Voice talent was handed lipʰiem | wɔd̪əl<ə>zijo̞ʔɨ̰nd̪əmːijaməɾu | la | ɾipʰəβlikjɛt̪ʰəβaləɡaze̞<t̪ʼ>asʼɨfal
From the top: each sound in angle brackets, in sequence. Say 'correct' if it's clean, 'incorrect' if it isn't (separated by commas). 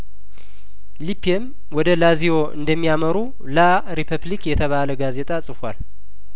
incorrect, correct